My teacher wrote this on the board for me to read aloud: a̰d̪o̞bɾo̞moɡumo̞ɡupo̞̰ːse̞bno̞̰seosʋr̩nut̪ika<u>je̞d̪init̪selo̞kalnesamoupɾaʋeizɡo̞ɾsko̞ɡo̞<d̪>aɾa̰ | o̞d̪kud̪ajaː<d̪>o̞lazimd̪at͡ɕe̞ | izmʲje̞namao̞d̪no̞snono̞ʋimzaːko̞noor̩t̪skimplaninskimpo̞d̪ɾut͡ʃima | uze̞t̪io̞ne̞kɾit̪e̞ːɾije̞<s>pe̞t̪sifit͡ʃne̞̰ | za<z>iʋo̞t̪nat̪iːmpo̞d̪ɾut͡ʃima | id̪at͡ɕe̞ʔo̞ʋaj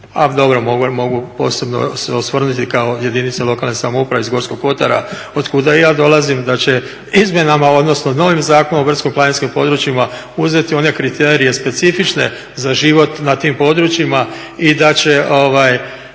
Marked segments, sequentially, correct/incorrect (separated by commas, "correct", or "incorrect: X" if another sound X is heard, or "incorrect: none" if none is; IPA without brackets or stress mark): incorrect: o, incorrect: t̪, correct, correct, incorrect: ʒ